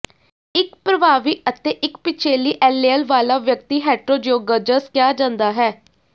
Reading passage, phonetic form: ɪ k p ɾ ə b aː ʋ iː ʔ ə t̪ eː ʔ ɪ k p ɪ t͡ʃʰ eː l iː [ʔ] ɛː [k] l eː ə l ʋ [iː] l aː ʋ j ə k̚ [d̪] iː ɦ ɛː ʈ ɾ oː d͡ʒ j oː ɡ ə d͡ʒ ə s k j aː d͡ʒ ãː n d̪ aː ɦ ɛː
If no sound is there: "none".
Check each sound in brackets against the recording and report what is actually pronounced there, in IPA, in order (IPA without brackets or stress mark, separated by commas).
ʔ, none, aː, t̪